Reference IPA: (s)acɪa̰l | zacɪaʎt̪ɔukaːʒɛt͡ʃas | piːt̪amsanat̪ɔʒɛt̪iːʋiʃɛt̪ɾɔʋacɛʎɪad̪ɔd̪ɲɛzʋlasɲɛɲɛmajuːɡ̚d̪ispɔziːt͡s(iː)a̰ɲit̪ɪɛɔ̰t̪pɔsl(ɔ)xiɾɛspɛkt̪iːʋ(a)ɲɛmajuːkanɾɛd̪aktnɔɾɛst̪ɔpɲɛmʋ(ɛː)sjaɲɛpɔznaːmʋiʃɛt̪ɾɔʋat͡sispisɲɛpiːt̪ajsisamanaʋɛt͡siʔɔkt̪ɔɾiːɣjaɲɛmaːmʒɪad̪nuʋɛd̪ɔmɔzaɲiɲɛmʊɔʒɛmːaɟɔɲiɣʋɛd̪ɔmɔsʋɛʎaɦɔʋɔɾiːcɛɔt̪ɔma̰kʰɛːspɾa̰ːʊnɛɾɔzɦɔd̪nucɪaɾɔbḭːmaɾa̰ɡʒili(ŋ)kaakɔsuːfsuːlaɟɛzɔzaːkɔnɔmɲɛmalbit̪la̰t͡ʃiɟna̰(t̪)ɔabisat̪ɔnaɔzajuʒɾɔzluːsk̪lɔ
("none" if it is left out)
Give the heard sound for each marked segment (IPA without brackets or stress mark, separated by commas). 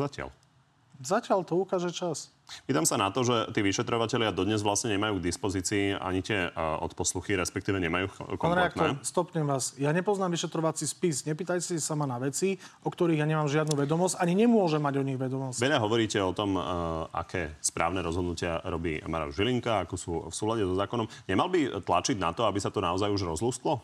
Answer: z, iː, u, ɛ, aː, ŋ, t̪